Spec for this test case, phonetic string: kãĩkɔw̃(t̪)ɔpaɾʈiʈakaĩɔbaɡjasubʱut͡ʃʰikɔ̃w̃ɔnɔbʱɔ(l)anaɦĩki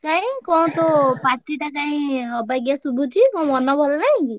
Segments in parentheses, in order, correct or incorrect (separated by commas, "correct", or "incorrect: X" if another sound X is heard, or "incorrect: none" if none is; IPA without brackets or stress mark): correct, correct